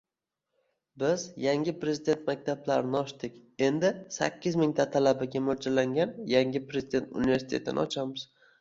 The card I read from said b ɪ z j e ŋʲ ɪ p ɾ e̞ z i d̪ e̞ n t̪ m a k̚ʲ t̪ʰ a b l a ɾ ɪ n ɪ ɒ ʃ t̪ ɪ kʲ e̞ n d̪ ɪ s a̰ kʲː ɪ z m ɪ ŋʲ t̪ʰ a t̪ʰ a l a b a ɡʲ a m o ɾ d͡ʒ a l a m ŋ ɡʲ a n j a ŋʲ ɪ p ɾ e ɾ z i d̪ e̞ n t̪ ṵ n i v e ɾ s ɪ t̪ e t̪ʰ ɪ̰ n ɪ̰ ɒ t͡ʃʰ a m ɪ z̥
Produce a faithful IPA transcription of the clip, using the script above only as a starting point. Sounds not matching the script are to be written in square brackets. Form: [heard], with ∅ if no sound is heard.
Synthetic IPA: b ɪ z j [a] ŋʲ ɪ p ɾ e̞ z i d̪ e̞ n t̪ m a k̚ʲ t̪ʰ a b l a ɾ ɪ n ɪ ɒ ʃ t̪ ɪ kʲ e̞ n d̪ ɪ s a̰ kʲː ɪ z m ɪ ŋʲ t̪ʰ a t̪ʰ a l a b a ɡʲ a m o ɾ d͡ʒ a l a [∅] ŋ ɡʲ a n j a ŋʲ ɪ p ɾ e [∅] z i d̪ e̞ n t̪ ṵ n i v e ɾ s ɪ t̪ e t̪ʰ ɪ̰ n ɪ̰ ɒ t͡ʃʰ a m ɪ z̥